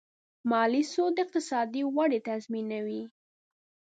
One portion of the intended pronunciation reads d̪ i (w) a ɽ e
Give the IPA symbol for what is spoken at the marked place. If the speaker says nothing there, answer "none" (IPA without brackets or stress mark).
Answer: w